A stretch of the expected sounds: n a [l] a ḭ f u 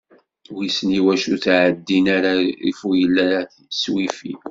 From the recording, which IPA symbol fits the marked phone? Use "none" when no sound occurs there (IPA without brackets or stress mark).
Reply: ɾ